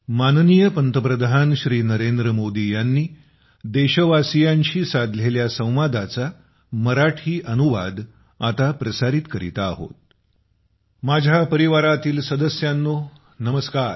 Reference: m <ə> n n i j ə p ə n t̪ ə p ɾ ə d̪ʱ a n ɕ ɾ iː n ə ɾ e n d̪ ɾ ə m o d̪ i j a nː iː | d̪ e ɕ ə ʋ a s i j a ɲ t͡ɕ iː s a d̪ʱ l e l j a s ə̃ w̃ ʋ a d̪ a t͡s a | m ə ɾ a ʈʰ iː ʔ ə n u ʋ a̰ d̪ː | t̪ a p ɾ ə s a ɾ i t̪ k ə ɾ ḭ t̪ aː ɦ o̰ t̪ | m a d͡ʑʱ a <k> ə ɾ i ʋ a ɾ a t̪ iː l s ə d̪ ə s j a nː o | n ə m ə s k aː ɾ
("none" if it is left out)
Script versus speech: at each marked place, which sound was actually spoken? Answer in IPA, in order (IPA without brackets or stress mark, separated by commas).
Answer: a, p